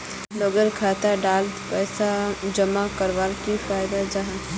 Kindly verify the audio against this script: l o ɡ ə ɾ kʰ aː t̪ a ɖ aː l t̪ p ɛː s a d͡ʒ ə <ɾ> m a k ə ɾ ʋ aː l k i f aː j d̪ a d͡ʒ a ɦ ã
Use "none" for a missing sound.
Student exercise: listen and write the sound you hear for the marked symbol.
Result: none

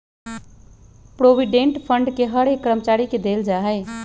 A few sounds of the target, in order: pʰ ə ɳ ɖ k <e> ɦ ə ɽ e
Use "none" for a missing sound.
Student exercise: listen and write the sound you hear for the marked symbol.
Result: e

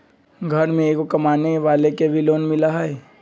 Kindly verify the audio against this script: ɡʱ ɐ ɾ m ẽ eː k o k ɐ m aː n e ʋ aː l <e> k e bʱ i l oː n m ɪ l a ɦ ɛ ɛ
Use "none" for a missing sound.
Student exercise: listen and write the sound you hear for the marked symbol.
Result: e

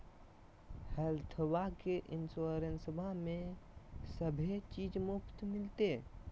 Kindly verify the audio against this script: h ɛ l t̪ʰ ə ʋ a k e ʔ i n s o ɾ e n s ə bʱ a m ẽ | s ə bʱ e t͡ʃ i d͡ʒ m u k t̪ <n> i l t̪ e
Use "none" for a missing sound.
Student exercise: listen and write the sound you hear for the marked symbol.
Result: m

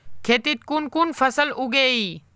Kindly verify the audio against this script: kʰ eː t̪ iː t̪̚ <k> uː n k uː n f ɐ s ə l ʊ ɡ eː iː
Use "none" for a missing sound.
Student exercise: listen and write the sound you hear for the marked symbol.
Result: k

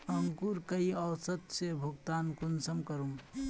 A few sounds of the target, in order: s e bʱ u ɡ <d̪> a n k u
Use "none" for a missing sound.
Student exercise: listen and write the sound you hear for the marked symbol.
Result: t̪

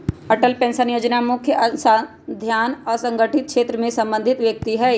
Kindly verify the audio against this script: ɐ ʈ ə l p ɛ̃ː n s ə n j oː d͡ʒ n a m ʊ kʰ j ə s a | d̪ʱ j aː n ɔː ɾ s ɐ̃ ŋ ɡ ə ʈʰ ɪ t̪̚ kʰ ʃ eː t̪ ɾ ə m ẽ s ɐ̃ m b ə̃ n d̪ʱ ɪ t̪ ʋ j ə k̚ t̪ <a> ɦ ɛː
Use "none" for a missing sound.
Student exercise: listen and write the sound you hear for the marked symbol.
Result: i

